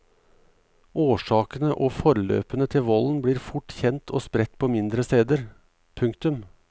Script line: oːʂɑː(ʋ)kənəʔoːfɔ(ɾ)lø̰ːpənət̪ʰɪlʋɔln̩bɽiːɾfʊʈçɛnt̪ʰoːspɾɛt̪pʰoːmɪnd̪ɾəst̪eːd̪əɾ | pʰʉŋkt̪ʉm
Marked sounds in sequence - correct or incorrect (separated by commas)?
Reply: incorrect, correct